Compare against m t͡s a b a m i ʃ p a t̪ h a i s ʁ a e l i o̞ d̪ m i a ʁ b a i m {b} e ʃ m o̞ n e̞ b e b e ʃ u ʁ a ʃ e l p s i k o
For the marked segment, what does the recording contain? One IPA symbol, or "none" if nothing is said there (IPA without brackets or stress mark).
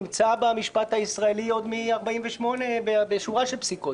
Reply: v